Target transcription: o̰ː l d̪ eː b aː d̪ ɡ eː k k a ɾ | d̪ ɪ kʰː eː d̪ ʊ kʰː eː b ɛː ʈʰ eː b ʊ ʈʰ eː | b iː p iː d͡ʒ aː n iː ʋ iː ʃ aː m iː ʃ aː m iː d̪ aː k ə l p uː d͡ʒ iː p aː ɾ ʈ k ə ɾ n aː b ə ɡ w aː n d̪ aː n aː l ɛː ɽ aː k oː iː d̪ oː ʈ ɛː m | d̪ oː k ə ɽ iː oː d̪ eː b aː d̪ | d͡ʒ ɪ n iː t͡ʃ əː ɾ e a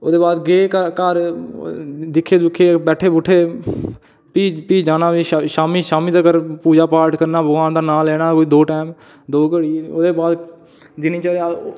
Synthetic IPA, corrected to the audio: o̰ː d̪ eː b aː d̪ ɡ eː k k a ɾ | d̪ ɪ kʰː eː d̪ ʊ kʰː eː b ɛː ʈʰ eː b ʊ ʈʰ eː | p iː p iː d͡ʒ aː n aː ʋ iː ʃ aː m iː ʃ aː m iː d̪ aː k ə ɾ p uː d͡ʒ aː p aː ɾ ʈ k ə ɾ n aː b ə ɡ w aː n d̪ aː n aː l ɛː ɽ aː k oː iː d̪ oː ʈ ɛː m | d̪ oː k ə ɽ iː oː d̪ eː b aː d̪ | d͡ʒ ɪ n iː t͡ʃ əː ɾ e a

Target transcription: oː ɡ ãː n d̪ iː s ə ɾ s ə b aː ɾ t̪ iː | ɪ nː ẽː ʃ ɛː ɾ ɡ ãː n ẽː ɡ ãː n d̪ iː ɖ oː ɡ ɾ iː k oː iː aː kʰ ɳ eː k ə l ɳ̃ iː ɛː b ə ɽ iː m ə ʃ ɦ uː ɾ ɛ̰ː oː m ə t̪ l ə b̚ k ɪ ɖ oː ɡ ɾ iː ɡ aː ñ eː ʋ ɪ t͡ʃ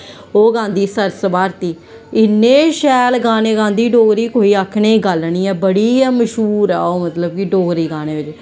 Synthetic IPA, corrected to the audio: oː ɡ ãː n d̪ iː s ə ɾ s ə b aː ɾ t̪ iː | ɪ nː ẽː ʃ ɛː l ɡ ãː n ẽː ɡ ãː n d̪ iː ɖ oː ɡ ɾ iː k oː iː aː kʰ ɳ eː ɡ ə l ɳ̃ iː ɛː b ə ɽ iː m ə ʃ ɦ uː ɾ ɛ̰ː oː m ə t̪ l ə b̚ k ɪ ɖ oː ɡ ɾ iː ɡ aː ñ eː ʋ ɪ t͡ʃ

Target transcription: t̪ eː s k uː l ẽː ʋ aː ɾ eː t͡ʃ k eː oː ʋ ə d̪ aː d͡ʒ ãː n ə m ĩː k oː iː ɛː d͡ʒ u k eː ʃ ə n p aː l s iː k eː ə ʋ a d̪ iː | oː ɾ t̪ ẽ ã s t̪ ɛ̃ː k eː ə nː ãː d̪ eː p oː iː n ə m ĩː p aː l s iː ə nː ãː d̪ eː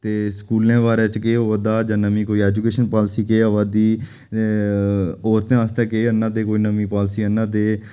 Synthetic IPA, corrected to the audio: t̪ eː s k uː l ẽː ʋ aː ɾ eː t͡ʃ k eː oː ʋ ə d̪ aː d͡ʒ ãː n ə m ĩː k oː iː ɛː d͡ʒ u k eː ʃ ə n p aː l s iː k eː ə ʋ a d̪ iː | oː ɾ t̪ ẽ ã s t̪ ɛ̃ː k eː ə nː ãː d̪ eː k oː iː n ə m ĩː p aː l s iː ə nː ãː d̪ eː

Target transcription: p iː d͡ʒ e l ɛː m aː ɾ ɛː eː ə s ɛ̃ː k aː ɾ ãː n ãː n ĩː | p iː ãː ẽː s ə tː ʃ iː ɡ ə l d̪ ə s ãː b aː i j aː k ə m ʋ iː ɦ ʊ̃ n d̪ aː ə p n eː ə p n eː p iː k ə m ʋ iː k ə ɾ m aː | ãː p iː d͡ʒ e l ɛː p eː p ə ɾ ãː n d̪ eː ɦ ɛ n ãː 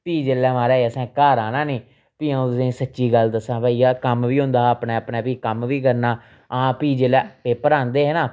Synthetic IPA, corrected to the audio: p iː d͡ʒ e l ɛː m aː ɾ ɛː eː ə s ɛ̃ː k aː ɾ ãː n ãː n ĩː | p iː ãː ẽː s ə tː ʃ iː ɡ ə l d̪ ə s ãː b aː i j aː k ə m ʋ iː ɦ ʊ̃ n d̪ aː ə p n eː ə p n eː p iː k ə m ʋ iː k ə ɾ n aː | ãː p iː d͡ʒ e l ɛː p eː p ə ɾ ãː n d̪ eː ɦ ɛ n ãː

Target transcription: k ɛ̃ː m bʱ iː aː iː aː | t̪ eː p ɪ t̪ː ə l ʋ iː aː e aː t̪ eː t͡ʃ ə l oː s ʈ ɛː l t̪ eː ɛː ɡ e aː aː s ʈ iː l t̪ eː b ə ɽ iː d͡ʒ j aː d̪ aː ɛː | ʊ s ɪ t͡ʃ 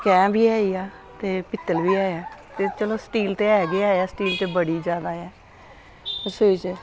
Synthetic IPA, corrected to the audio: k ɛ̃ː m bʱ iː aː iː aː | t̪ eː p ɪ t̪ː ə l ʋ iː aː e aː t̪ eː t͡ʃ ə l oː s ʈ iː l t̪ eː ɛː ɡ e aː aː s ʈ iː l t̪ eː b ə ɽ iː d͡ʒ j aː d̪ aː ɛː | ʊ s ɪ t͡ʃ

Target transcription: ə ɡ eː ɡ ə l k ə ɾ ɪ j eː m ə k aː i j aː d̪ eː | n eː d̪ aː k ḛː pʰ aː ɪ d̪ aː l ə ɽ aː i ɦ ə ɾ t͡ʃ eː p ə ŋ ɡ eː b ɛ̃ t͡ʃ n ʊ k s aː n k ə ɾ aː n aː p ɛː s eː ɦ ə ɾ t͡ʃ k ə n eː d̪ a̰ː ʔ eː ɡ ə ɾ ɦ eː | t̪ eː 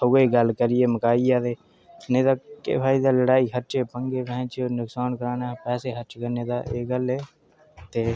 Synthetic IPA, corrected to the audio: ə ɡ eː ɡ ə l k ə ɾ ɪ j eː m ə k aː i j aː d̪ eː | n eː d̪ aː k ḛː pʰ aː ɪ d̪ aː l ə ɽ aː i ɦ ə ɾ t͡ʃ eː p ə ŋ ɡ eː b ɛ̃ t͡ʃ n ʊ k s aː n k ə ɾ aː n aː p ɛː s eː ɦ ə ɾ t͡ʃ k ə n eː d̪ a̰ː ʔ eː ɡ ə l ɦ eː | t̪ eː

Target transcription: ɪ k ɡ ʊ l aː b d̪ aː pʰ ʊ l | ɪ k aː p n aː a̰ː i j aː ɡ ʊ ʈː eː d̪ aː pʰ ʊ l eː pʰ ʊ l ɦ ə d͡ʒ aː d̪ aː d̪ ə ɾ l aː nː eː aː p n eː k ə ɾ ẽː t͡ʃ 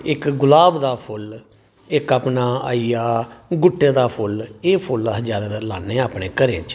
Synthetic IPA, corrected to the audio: ɪ k ɡ ʊ l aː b d̪ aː pʰ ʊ l | ɪ k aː p n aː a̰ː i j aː ɡ ʊ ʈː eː d̪ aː pʰ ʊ l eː pʰ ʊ l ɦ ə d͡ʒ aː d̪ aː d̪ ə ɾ l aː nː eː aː p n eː k ə ɾ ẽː t͡ʃ

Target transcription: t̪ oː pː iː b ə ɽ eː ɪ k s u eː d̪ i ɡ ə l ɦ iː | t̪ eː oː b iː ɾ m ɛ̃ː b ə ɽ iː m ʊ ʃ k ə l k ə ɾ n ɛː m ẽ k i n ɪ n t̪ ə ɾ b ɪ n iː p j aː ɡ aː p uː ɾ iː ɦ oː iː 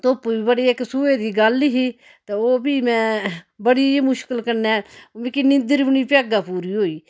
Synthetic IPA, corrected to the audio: t̪ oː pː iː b ə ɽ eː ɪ k s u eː d̪ iː ɡ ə l ɦ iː | t̪ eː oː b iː m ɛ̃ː b ə ɽ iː m ʊ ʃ k ə l k ə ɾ n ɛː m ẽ k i n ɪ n d̪ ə ɾ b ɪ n iː p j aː ɡ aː p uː ɾ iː ɦ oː iː

